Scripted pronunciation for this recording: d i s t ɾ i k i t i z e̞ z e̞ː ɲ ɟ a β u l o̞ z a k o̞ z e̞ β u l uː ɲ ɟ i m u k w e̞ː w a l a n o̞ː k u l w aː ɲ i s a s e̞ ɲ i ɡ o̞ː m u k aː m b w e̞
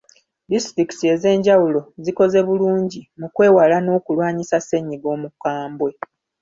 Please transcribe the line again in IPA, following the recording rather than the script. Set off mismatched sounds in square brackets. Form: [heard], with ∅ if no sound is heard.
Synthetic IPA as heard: d i s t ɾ i k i t i [∅] e̞ z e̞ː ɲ ɟ a [w] u l o̞ z [i] k o̞ z e̞ β u l uː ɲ ɟ i m u k w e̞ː w a l a n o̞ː k u l w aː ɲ i s a s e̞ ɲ i ɡ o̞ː m u k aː m b w e̞